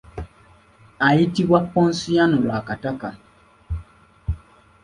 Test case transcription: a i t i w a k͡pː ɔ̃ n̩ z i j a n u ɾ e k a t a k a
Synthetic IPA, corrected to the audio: a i t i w a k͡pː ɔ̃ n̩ s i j a n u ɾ a k a t a k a